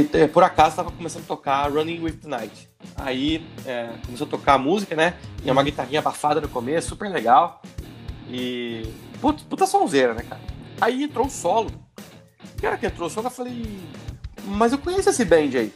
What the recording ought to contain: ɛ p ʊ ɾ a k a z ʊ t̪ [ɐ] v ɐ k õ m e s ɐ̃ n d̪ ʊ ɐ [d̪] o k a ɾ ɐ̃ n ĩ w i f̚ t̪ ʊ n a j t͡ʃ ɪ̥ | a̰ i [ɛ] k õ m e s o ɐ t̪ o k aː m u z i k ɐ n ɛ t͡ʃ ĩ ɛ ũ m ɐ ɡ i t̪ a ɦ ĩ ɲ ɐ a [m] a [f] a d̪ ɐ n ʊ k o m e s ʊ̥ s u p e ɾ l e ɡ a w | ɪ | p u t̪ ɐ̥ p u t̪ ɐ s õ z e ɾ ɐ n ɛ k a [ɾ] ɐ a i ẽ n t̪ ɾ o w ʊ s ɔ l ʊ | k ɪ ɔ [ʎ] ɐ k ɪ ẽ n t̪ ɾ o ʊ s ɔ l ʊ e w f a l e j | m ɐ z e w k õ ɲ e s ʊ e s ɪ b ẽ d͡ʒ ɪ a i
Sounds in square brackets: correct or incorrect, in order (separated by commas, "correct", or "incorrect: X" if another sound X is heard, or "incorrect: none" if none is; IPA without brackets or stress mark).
incorrect: a, incorrect: t̪, correct, incorrect: b, correct, correct, incorrect: ɾ